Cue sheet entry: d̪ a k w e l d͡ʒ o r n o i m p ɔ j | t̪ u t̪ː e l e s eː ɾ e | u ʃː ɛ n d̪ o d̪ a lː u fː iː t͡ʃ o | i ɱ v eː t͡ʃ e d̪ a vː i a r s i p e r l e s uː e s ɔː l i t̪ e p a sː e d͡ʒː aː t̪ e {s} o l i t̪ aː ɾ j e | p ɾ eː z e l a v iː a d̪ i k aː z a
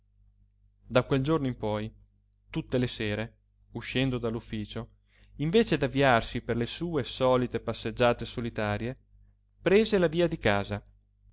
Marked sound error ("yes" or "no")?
no